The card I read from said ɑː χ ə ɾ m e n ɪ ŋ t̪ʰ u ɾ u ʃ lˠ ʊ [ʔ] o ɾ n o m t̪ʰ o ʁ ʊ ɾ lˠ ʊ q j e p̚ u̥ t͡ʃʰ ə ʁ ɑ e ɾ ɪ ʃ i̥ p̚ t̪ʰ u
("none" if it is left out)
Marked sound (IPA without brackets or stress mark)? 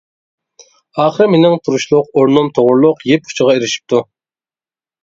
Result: q